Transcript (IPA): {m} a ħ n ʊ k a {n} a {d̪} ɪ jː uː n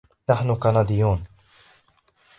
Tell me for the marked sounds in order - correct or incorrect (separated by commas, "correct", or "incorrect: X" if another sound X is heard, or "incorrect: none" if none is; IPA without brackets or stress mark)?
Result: incorrect: n, correct, correct